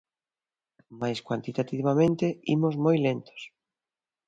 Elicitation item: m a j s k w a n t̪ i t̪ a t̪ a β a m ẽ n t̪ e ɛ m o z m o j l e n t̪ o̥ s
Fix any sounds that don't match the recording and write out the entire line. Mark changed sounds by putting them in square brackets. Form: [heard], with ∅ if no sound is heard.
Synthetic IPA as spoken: m a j s k w a n t̪ i t̪ a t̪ [i] β a m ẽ n t̪ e [i] m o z m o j l e n t̪ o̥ s